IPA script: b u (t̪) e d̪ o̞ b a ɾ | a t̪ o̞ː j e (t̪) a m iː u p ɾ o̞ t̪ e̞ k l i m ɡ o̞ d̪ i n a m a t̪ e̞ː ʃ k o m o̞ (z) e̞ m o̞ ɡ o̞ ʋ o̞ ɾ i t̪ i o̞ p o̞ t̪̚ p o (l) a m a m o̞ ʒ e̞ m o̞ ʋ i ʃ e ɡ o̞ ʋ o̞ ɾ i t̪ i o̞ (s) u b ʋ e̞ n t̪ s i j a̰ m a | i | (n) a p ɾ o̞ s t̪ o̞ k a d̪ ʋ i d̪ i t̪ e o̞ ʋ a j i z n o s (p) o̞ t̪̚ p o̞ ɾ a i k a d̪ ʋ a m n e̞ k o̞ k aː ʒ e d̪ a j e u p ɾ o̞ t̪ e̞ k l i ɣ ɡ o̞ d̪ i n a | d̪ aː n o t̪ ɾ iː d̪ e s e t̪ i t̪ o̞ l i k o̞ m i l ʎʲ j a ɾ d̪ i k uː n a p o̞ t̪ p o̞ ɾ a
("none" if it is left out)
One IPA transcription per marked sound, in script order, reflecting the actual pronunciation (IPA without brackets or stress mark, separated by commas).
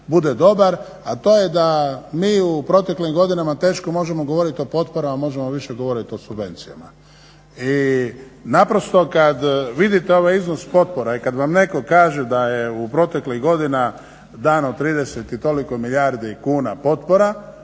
d̪, d̪, ʒ, ɾ, s, n, p